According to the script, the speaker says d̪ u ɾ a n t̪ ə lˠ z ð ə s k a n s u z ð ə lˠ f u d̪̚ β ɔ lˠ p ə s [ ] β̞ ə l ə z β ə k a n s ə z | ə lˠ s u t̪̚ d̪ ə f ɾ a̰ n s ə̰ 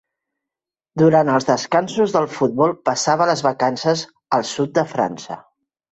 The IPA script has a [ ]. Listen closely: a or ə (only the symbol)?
a